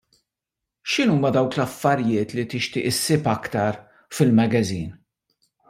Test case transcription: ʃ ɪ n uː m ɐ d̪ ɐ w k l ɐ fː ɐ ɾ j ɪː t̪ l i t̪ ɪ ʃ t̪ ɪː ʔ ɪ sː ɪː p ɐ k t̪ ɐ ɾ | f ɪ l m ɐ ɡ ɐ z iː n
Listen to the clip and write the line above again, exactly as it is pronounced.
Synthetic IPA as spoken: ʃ ɪ n uː m ɐ d̪ ɐ w k l ɐ fː ɐ ɾ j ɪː t̪ l i t̪ ɪ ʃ t̪ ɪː ʔ ɪ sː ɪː p ɐ k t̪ ɐ ɾ | f ɪ l m ɐ ɡ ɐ z iː n